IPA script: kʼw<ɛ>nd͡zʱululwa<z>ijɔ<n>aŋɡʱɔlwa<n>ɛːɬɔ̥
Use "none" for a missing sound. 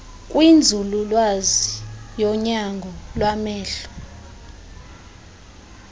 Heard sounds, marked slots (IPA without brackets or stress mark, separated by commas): i, z, ɲ, m